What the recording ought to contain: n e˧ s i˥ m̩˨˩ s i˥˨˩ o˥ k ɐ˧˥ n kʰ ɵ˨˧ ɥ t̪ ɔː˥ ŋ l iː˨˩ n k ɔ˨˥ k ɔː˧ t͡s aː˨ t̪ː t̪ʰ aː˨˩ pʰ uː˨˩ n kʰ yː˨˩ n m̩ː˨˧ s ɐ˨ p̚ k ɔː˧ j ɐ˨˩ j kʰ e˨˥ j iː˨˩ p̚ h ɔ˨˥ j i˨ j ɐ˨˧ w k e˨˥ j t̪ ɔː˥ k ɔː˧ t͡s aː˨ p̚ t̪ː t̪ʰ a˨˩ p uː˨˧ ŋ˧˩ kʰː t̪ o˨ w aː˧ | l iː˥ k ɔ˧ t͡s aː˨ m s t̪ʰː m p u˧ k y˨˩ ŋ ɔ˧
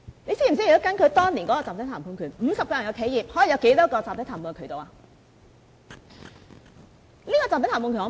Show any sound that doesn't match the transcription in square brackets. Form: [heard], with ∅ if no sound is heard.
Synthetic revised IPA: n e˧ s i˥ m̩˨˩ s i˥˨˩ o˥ k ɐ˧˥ n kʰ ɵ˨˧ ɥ t̪ ɔː˥ ŋ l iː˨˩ n k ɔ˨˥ k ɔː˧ t͡s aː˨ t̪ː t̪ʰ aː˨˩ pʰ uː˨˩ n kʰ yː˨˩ n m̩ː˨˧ s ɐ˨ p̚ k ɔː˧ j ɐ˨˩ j kʰ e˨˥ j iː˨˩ p̚ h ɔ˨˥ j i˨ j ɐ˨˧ w k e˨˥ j t̪ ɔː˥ k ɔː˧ t͡s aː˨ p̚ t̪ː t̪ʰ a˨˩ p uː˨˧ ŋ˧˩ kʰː t̪ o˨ w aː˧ | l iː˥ k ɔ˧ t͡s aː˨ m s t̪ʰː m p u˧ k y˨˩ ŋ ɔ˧